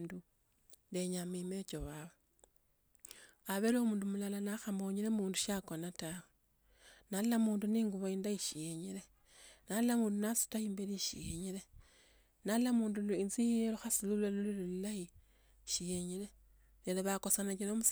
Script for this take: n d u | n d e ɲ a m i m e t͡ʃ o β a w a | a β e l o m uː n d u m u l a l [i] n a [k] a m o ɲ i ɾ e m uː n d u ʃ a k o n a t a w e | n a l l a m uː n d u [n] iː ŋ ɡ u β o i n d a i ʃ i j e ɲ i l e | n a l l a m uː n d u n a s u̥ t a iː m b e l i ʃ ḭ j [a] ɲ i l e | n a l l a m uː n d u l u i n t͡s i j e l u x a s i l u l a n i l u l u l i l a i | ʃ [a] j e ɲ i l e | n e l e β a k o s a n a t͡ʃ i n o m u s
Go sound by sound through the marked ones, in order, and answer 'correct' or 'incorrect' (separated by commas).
incorrect, incorrect, correct, incorrect, incorrect